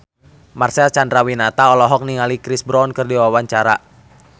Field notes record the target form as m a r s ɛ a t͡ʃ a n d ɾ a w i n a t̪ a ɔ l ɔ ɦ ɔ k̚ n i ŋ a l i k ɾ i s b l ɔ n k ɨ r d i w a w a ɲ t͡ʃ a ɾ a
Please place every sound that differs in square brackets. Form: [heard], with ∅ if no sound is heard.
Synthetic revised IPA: m a r s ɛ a t͡ʃ a n d ɾ a w i n a t̪ a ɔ l ɔ ɦ ɔ k̚ n i ŋ a l i k ɾ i s b [ɾ] ɔ n k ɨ r d i w a w a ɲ t͡ʃ a ɾ a